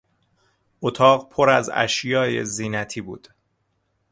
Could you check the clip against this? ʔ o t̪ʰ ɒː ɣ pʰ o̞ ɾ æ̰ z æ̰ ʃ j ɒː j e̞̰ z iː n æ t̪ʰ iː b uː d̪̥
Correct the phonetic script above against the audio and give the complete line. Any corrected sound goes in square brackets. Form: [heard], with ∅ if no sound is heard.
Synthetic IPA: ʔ o t̪ʰ ɒː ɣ pʰ o̞ ɾ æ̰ z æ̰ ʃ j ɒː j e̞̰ z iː n æ t̪ʰ iː b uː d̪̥